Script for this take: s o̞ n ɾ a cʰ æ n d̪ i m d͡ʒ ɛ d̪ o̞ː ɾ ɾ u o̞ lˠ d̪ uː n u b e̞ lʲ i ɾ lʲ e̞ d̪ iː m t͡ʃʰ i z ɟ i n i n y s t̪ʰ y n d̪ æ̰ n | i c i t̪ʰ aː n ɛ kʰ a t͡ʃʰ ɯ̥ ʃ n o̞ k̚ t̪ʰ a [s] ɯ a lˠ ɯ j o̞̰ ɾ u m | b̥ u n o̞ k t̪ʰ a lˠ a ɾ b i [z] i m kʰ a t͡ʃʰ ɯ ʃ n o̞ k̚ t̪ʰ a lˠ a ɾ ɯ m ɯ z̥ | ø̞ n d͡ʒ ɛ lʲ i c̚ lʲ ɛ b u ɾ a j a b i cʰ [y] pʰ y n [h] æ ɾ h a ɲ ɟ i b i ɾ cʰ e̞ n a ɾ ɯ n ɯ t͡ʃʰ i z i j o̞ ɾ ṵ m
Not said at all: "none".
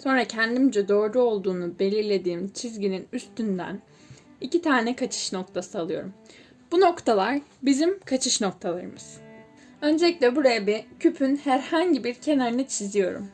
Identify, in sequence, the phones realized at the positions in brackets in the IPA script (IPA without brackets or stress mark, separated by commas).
s, z, y, h